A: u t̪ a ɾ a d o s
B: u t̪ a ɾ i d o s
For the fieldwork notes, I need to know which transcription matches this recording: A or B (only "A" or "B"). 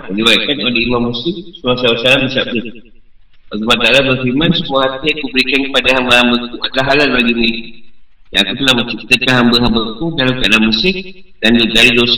B